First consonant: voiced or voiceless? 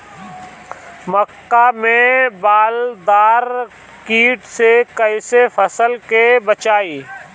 voiced